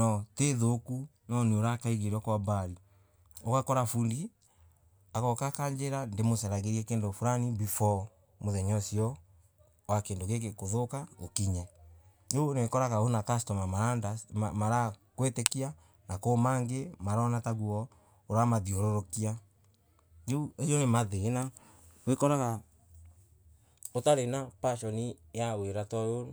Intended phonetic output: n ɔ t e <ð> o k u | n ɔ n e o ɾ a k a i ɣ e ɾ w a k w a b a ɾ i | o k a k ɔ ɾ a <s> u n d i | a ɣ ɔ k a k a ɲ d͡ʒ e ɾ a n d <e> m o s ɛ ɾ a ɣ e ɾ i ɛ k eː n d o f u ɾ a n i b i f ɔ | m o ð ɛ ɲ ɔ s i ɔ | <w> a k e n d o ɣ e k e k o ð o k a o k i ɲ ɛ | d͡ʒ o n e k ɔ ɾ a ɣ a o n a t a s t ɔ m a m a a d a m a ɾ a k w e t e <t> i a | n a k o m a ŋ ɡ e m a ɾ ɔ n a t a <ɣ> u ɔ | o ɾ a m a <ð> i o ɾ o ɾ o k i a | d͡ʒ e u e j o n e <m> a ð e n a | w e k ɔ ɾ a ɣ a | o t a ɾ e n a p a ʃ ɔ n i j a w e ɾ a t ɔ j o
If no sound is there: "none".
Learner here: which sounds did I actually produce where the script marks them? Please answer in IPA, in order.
ð, f, e, w, k, ɣ, ð, m

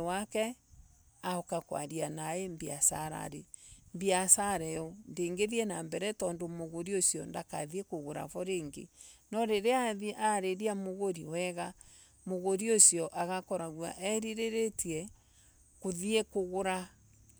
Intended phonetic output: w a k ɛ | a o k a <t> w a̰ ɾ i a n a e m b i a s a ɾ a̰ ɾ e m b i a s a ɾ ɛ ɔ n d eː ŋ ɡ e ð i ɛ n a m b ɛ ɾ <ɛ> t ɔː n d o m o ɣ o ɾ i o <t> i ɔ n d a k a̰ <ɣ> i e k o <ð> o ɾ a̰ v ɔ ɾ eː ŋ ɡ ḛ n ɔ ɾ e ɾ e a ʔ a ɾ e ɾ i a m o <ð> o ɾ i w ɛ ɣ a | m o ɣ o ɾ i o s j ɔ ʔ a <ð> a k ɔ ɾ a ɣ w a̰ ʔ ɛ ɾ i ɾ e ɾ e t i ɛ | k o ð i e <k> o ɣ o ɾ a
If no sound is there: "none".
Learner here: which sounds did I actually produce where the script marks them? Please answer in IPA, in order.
k, ɛ, s, ð, ɣ, ɣ, ɣ, k

